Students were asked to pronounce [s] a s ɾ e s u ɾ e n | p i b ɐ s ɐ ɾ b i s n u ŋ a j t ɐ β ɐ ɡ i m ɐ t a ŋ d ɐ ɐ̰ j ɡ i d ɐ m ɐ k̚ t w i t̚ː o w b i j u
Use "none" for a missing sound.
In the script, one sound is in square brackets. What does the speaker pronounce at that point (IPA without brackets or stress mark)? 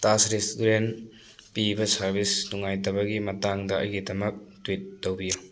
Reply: t